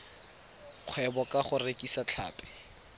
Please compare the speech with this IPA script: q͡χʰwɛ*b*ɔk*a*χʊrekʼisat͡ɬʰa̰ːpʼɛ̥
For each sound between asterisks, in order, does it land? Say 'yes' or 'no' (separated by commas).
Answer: yes, yes